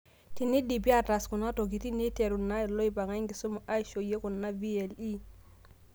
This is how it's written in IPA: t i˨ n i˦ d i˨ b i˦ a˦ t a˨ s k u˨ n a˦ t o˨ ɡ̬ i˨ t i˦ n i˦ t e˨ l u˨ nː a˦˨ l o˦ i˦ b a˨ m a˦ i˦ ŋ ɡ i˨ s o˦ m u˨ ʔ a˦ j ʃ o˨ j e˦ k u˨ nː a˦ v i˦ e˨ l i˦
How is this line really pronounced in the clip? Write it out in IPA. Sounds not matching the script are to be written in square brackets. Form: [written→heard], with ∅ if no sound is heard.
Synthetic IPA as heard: t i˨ n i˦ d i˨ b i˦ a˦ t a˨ s k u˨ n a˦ t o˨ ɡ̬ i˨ t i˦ n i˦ t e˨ [l→ɾ] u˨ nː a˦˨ l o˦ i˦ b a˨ [m→ŋ] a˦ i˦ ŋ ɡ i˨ s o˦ m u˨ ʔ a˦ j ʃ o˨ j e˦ k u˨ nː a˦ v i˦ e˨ l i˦